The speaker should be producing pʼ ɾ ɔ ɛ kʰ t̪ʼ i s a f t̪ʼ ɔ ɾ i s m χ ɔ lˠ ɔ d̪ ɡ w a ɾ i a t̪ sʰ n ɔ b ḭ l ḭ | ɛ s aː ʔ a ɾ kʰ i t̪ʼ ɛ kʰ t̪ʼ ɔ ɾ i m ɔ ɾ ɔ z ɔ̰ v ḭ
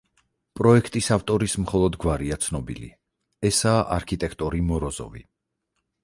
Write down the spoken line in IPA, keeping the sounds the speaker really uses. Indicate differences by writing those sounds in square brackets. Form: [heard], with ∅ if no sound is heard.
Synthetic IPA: pʼ ɾ ɔ ɛ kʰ t̪ʼ i s a f t̪ʼ ɔ ɾ i s m χ ɔ lˠ ɔ d̪ ɡ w a ɾ i a t̪ sʰ n ɔ b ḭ l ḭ | ɛ s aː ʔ a ɾ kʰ i t̪ʼ ɛ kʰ t̪ʼ ɔ ɾ i m ɔ ɾ ɔ z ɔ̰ v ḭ